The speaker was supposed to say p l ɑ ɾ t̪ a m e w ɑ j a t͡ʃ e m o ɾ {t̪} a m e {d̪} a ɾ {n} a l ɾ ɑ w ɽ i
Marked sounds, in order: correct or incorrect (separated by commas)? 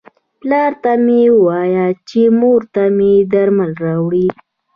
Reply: correct, correct, incorrect